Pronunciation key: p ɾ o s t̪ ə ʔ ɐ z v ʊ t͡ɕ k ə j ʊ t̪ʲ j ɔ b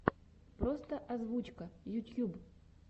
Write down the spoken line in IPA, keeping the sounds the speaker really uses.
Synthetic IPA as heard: p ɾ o s t̪ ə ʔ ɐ z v u t͡ɕ k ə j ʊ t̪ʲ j u b